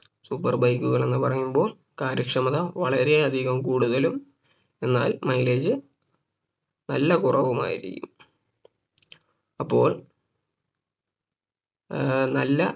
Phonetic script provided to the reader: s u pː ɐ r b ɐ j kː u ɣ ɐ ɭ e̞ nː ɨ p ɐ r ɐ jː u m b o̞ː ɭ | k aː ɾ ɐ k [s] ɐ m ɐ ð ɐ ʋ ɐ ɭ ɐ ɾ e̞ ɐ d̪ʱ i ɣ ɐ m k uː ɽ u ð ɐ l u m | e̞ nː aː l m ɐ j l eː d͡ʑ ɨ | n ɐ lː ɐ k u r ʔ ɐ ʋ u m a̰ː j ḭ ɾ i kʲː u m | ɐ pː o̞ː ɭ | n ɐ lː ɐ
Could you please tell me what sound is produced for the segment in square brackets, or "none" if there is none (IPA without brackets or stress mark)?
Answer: ʂ